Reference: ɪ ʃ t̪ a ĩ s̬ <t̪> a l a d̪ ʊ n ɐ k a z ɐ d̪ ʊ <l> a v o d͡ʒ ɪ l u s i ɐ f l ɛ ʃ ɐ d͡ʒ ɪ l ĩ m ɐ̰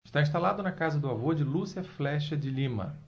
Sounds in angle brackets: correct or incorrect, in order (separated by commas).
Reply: correct, incorrect